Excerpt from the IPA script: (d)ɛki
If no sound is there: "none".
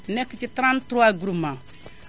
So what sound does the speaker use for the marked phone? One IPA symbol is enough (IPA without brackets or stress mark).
n